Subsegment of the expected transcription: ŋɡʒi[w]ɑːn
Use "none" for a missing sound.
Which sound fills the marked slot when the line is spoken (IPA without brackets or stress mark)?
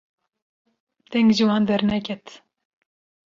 w